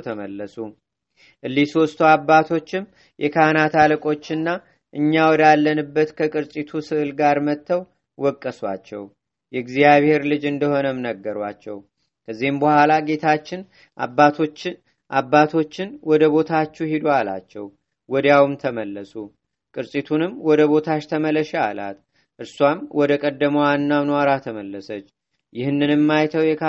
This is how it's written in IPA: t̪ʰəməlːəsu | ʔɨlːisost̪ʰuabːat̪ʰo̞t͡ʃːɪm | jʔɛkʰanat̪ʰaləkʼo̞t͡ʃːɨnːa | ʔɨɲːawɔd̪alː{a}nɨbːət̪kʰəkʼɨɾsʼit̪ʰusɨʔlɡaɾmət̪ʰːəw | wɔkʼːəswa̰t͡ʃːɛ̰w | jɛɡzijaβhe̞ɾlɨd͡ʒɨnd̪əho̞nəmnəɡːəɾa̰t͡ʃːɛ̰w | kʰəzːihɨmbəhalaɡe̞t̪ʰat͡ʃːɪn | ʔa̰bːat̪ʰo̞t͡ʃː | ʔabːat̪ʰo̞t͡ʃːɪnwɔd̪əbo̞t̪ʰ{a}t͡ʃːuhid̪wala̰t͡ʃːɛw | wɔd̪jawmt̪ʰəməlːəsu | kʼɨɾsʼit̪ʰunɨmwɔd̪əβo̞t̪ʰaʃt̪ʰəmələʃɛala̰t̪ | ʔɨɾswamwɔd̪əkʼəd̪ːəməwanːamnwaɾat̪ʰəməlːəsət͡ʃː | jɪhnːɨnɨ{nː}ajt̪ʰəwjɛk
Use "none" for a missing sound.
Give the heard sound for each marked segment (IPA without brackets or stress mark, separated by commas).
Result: ə, a, mː